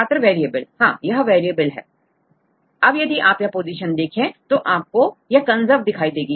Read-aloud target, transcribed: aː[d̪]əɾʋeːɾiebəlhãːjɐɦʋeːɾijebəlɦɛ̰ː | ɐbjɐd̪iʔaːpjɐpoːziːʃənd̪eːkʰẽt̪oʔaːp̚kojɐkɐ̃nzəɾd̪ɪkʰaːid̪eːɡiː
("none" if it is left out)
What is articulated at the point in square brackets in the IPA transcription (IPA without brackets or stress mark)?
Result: t̪